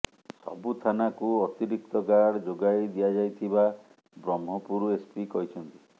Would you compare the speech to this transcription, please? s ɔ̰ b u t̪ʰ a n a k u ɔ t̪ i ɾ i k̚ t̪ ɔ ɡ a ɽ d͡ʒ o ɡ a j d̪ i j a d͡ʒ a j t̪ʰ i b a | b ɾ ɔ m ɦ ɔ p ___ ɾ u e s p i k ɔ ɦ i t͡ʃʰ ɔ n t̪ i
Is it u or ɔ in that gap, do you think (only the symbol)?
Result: u